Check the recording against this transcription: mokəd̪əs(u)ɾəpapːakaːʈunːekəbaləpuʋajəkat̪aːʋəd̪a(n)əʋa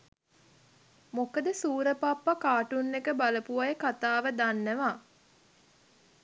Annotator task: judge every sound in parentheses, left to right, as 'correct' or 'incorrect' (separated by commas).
incorrect, incorrect